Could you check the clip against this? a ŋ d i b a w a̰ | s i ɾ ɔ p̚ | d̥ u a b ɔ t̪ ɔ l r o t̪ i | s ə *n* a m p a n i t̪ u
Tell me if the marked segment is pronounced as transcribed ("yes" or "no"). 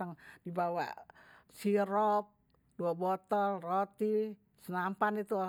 yes